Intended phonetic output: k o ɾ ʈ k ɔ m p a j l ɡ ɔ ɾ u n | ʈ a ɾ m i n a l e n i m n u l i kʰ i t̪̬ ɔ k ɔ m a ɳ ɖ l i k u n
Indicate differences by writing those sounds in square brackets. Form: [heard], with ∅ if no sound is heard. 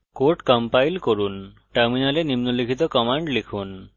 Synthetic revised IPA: k o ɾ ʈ k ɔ m p a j l [k] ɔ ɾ u n | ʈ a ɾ m i n a l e n i m n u l i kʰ i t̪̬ ɔ k ɔ m a ɳ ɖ l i [kʰ] u n

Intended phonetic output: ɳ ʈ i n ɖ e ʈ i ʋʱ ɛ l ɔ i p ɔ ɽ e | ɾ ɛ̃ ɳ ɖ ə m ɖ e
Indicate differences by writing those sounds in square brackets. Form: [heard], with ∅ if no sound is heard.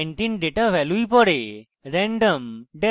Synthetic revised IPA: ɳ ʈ i n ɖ e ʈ [a] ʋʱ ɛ l [u] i p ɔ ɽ e | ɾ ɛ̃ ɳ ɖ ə m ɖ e

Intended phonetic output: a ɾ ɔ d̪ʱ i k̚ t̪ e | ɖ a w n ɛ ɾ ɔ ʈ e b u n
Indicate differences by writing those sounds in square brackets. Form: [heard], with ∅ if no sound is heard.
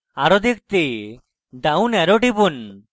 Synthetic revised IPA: a ɾ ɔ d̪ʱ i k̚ t̪ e | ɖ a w n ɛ ɾ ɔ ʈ [i] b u n

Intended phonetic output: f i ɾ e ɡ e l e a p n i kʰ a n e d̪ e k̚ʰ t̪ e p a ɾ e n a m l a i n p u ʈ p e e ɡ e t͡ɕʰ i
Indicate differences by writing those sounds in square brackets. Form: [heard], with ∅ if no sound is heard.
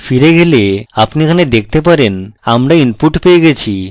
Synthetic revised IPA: f i ɾ e ɡ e l e a p n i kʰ a n e d̪ e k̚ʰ t̪ e p a ɾ e n a m [ɾ] a i n p u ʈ p e e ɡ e t͡ɕʰ i

